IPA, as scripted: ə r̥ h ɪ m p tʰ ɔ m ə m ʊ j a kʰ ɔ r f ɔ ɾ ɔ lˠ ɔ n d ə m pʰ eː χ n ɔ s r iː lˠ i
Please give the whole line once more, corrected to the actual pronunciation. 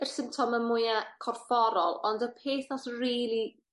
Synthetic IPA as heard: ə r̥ s ɪ m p tʰ ɔ m ə m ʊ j a kʰ ɔ r f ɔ ɾ ɔ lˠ ɔ n d ə pʰ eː θ n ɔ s r iː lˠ i